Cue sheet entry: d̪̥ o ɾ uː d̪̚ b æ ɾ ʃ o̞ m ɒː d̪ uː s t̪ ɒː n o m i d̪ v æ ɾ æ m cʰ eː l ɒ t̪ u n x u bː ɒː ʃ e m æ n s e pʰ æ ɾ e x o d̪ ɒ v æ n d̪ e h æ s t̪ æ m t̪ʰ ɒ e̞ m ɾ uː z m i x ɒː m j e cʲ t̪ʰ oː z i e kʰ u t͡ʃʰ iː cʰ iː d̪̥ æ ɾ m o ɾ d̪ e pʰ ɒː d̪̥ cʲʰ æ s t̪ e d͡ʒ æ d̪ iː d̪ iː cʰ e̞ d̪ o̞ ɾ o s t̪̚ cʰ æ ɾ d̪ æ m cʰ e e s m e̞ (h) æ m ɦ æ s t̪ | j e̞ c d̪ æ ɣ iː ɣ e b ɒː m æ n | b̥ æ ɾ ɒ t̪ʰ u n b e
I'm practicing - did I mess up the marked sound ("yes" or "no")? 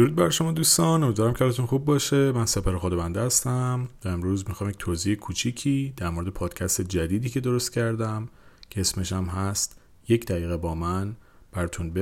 yes